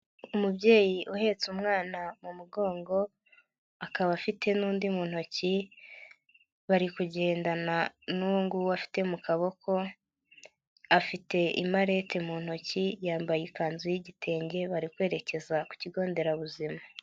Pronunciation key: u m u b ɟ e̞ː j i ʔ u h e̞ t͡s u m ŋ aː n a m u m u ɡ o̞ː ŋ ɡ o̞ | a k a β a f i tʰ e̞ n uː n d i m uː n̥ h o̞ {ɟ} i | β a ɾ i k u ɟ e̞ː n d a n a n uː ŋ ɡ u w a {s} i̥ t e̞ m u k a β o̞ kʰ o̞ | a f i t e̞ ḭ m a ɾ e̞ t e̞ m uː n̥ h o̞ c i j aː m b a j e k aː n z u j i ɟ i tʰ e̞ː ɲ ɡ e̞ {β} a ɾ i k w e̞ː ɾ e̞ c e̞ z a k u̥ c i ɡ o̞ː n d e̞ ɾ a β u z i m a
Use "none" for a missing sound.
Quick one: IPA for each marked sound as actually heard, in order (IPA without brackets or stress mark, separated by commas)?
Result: c, f, β